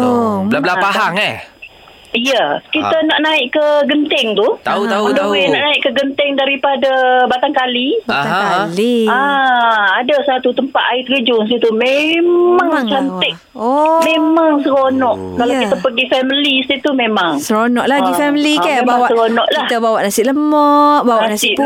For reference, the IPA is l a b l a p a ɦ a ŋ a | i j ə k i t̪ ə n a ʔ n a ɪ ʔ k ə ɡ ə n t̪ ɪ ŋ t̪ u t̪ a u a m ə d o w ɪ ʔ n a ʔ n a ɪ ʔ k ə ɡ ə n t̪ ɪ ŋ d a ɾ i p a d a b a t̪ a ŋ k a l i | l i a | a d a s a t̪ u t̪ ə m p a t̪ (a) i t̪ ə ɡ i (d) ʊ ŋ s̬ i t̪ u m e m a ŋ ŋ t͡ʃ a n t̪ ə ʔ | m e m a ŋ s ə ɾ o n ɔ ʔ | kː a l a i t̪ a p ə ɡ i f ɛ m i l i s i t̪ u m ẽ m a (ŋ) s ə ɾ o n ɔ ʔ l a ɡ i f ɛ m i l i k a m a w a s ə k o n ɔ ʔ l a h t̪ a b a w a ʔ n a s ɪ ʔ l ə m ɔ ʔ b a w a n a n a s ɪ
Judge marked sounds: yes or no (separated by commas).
yes, no, yes